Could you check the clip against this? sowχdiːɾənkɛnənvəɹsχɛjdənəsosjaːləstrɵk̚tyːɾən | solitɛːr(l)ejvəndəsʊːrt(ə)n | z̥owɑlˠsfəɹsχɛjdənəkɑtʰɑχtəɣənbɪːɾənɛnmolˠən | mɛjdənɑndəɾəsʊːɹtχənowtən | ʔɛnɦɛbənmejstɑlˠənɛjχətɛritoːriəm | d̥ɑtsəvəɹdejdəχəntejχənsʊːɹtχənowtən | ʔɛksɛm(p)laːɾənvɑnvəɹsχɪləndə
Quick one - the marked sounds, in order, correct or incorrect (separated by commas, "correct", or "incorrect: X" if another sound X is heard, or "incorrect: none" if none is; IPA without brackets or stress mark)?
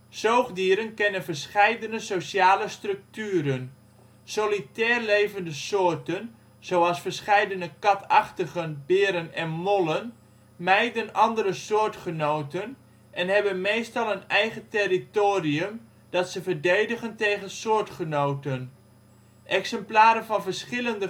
correct, correct, correct